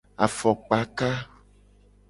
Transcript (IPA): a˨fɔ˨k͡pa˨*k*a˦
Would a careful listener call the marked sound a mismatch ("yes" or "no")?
no